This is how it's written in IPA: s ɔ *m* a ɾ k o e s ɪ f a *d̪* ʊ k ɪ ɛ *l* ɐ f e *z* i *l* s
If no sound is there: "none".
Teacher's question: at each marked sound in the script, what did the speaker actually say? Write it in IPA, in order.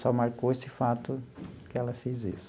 m, t̪, l, z, none

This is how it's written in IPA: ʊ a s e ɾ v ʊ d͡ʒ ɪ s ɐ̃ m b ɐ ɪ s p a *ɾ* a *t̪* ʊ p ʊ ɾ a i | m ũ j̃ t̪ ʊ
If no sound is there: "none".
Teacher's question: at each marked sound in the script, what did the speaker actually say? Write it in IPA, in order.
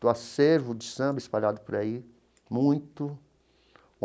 ʎ, d̪

